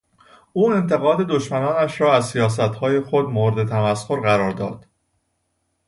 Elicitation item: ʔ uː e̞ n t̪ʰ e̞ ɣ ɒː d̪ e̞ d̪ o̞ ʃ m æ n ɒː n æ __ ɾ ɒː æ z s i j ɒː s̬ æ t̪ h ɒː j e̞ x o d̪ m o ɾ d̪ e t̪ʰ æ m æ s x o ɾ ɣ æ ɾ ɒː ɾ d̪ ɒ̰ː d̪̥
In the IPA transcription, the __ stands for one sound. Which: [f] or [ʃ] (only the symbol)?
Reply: ʃ